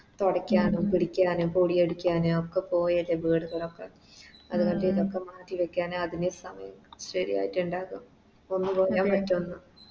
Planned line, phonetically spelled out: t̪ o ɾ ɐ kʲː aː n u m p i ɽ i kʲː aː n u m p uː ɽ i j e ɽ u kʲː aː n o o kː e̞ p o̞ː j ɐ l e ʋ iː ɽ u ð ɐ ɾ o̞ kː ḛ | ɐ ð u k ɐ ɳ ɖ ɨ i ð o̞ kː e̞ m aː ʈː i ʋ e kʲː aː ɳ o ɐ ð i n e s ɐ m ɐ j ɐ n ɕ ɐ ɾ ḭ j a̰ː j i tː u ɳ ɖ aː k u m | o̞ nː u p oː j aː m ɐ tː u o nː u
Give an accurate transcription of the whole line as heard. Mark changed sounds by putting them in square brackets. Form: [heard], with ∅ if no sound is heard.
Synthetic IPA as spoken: t̪ o [ɽ] ɐ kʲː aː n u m p i ɽ i kʲː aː n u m p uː ɽ i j e ɽ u kʲː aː n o o kː e̞ p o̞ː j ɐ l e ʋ iː ɽ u [ɣ] ɐ [ɭ] o̞ kː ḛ | ɐ ð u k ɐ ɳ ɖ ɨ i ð o̞ kː e̞ m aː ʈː i ʋ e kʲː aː [n] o ɐ ð i n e s ɐ m ɐ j ɐ [m] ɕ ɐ ɾ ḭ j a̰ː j i tː u ɳ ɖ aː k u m | o̞ nː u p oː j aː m ɐ tː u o nː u

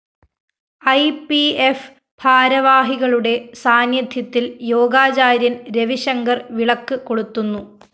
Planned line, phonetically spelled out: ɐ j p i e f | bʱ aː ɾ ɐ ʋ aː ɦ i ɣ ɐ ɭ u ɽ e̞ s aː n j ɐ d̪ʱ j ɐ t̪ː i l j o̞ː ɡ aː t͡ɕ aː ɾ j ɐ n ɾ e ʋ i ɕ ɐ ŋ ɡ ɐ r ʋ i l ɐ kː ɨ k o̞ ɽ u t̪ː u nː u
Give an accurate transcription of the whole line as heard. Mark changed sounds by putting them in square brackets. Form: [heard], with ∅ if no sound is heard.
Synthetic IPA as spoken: ɐ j p i e f | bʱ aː ɾ ɐ ʋ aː ɦ i ɣ ɐ ɭ u ɽ e̞ s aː n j ɐ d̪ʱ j ɐ t̪ː i l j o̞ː ɡ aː t͡ɕ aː ɾ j ɐ n ɾ e ʋ i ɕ ɐ ŋ ɡ ɐ r ʋ i [ɭ] ɐ kː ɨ k o̞ ɽ u t̪ː u nː u

